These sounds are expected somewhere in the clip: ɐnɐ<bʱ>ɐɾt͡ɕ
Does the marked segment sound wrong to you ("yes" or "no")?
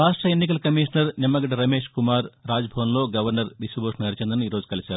yes